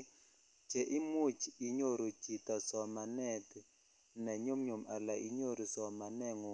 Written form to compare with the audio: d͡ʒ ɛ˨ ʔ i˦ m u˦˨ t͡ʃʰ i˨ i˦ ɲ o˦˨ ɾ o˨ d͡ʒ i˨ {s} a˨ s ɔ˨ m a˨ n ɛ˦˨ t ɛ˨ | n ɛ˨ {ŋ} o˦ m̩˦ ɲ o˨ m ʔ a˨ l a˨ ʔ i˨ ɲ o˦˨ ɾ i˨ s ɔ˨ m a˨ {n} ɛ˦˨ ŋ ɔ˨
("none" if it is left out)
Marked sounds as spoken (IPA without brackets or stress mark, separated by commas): t, ɲ, n